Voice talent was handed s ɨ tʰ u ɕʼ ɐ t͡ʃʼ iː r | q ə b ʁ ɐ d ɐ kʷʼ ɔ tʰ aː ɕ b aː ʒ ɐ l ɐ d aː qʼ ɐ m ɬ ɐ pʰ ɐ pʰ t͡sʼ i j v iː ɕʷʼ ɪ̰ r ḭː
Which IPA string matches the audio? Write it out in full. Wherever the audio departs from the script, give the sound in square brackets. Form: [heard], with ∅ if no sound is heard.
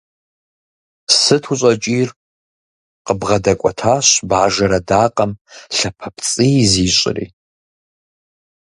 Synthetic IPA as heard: s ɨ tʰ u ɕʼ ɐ t͡ʃʼ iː r | q ə b ʁ ɐ d ɐ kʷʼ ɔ tʰ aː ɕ b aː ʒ ɐ [ɾ] ɐ d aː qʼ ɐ m ɬ ɐ pʰ ɐ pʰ t͡sʼ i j [z] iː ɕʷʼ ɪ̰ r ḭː